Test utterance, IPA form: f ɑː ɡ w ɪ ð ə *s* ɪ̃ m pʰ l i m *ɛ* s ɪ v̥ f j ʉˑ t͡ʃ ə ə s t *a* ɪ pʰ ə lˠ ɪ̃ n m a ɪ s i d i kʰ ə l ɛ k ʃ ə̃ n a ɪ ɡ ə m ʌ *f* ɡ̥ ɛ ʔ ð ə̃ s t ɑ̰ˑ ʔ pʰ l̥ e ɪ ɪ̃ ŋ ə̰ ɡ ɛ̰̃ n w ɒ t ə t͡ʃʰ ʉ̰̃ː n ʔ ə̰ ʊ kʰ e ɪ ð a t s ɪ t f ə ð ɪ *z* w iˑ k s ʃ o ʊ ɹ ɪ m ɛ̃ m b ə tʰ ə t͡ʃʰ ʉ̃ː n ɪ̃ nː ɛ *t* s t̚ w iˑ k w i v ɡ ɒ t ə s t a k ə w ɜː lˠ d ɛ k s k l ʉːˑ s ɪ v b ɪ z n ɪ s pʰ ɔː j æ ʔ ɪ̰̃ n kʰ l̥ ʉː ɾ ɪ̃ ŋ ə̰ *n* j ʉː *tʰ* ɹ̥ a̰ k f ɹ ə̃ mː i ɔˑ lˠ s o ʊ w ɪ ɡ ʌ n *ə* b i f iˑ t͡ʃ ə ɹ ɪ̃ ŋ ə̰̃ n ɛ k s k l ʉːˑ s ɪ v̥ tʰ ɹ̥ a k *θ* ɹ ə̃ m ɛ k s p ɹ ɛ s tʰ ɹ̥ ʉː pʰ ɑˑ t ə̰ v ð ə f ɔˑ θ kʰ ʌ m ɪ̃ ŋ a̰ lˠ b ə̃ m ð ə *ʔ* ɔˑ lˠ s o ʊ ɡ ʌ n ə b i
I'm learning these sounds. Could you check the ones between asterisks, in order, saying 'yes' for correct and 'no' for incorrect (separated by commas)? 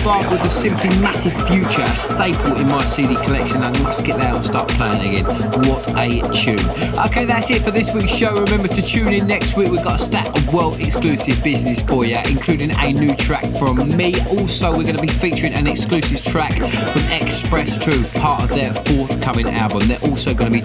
yes, no, no, no, no, no, yes, yes, yes, no, yes